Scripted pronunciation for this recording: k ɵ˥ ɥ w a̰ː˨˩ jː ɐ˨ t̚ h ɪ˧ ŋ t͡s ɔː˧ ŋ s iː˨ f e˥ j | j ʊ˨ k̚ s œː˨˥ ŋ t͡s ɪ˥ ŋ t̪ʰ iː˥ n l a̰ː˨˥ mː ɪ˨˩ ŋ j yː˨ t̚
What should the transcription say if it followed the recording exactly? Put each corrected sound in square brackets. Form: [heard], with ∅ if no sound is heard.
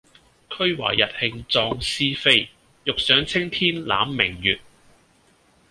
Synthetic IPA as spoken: [kʰ] ɵ˥ ɥ w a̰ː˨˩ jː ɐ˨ t̚ h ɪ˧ ŋ t͡s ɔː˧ ŋ s [iː˥] f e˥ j | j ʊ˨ k̚ s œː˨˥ ŋ [t͡sʰ] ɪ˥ ŋ t̪ʰ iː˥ n l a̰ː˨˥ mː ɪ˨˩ ŋ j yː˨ t̚